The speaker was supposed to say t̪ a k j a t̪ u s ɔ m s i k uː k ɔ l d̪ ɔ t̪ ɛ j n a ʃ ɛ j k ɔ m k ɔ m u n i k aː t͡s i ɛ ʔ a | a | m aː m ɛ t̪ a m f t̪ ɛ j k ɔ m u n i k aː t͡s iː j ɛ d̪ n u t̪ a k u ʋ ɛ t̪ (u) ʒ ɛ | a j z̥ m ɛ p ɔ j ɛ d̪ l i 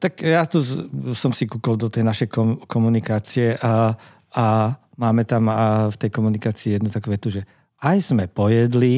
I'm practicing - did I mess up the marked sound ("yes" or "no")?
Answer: no